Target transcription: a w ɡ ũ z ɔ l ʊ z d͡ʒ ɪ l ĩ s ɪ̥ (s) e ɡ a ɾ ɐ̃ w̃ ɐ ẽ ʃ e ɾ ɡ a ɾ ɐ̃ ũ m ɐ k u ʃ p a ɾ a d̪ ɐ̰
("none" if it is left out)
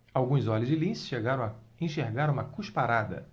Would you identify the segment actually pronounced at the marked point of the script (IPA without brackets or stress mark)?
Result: ʃ